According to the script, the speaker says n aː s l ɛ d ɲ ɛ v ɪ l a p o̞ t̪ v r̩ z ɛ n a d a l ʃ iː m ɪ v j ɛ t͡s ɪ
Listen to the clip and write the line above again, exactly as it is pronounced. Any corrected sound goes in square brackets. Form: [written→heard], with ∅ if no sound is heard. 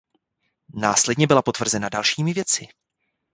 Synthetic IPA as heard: n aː s l ɛ d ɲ ɛ [v→b] ɪ l a p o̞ t̪ v r̩ z ɛ n a d a l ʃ iː m ɪ v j ɛ t͡s ɪ